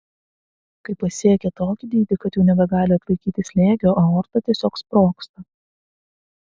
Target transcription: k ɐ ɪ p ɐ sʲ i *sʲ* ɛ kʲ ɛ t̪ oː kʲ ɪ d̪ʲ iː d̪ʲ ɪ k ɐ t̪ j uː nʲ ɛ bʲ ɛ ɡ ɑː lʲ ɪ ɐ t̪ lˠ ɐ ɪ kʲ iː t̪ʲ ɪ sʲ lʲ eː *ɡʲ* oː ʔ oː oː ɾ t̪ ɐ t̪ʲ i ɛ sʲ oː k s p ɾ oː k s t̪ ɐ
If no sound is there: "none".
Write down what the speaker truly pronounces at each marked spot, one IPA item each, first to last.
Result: none, ɡʲ

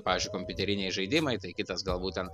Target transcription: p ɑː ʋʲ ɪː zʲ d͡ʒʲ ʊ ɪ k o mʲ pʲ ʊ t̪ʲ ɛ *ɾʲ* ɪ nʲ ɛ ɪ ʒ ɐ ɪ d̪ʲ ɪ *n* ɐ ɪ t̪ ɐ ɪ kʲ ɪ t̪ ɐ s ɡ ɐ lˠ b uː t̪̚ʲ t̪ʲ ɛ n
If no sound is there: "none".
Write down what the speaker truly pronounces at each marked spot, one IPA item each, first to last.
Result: ɾʲ, m

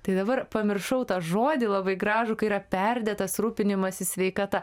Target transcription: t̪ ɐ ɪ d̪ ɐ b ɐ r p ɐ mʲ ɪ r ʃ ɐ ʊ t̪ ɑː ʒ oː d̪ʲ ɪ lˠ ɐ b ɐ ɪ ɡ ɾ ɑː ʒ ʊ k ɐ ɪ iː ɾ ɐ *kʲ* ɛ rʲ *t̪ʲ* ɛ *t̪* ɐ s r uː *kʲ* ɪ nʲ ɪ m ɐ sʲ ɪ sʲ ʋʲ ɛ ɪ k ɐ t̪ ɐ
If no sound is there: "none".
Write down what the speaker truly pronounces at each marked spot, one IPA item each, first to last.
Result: pʲ, d̪ʲ, t̪, pʲ

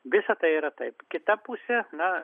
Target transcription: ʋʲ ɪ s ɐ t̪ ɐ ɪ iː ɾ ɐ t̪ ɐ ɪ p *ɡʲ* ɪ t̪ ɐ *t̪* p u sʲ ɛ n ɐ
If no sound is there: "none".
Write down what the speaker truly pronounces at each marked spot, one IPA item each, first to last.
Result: kʲ, none

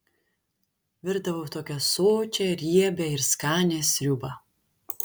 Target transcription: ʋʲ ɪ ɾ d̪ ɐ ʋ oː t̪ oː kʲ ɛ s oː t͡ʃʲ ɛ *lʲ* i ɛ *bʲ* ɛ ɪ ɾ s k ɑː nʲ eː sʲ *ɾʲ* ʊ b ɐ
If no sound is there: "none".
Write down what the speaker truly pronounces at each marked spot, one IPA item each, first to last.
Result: ɾʲ, bʲ, ɾʲ

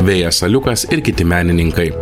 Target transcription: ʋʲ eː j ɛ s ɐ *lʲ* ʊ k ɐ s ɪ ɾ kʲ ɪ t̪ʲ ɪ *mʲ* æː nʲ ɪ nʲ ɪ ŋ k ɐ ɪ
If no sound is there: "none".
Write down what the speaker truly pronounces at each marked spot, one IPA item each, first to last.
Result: lʲ, mʲ

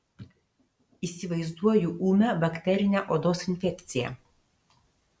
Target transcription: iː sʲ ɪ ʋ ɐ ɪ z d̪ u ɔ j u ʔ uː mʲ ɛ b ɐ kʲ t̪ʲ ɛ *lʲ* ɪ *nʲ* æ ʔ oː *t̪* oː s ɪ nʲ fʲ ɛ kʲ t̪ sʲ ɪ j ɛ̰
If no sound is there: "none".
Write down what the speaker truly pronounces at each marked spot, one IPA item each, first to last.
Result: ɾʲ, nʲ, d̪

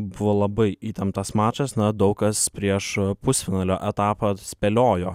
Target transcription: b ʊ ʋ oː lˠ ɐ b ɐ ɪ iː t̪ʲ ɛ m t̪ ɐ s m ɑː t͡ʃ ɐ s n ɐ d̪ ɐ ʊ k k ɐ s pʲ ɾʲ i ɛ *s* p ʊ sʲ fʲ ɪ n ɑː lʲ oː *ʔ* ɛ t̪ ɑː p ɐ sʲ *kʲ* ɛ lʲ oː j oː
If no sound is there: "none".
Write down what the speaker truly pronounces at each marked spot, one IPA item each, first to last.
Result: ʃ, ʔ, pʲ

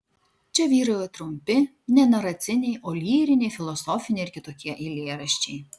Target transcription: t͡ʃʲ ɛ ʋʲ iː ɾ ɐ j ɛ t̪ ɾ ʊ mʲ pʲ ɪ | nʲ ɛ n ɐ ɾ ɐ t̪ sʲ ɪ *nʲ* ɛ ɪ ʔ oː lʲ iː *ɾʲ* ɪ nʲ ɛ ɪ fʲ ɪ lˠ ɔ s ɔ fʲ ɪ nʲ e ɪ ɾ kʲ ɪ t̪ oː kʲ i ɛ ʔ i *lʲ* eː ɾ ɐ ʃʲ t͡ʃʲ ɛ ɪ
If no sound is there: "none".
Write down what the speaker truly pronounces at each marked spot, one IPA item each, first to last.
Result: nʲ, ɾʲ, lʲ

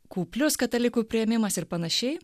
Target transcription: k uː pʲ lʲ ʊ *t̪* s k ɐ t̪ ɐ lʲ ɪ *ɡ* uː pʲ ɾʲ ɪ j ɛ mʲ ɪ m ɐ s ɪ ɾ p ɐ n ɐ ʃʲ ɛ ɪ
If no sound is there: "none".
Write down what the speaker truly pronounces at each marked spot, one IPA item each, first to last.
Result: none, k

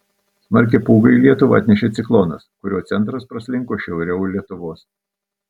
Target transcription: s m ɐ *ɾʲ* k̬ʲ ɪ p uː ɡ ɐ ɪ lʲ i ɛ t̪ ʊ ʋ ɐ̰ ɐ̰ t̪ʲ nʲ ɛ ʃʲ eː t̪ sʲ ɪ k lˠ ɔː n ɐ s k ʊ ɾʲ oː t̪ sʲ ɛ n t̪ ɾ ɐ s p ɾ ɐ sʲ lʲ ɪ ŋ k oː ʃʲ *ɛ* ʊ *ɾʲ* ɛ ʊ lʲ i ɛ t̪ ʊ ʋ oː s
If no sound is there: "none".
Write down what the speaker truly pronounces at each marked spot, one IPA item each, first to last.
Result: ɾʲ, ɛ, ɾʲ

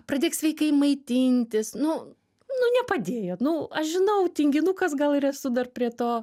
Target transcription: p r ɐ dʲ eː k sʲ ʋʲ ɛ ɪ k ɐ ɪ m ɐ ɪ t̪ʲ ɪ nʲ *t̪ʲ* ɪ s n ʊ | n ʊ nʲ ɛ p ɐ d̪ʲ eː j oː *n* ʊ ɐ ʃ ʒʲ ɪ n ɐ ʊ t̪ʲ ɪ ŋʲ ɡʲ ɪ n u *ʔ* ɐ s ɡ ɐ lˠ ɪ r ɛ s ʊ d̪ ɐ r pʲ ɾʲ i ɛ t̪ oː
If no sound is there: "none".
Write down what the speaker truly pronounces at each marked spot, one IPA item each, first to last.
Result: t̪ʲ, n, k

